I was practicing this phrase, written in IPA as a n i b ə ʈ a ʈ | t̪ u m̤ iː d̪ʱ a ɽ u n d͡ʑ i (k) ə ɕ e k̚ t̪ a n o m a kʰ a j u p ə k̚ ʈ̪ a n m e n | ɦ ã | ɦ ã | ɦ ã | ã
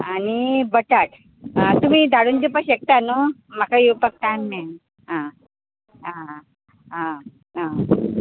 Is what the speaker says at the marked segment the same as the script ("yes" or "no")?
no